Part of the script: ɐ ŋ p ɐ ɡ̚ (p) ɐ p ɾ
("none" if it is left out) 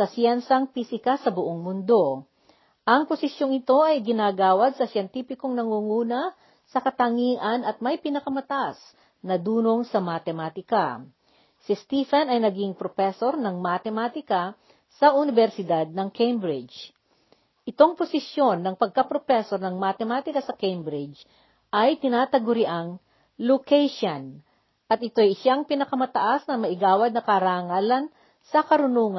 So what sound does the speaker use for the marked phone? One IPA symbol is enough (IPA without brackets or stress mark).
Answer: k